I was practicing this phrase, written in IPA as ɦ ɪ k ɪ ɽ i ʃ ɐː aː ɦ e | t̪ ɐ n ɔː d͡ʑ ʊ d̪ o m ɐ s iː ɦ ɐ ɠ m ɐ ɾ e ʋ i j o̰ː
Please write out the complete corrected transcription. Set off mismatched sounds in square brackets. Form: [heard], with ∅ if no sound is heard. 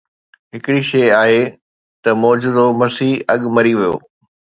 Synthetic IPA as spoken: ɦ ɪ k ɪ ɽ i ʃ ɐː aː ɦ e | t̪ ɐ [m] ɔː d͡ʑ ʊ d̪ o m ɐ s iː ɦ ɐ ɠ m ɐ ɾ [i] ʋ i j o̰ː